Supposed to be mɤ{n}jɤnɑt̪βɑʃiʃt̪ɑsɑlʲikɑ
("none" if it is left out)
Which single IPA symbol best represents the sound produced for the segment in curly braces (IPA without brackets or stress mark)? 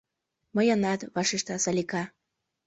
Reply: none